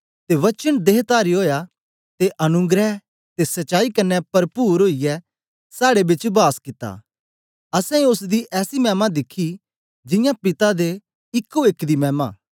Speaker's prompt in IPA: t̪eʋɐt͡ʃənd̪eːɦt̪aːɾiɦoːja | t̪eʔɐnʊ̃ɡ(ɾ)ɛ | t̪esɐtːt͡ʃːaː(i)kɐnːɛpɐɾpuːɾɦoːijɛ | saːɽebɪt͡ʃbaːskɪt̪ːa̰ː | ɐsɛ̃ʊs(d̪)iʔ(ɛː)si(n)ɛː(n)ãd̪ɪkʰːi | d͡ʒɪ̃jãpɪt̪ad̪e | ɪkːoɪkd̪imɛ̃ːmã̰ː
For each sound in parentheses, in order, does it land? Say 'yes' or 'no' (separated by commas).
yes, yes, yes, yes, no, no